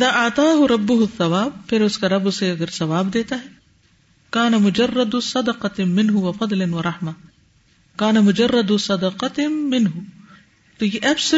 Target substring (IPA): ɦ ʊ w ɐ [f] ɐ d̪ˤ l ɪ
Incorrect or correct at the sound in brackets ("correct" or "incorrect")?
correct